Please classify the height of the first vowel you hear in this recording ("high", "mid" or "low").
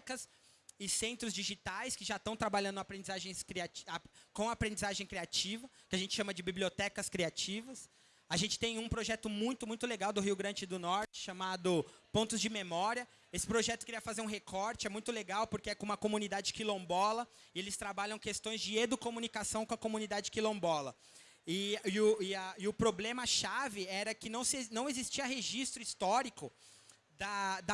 low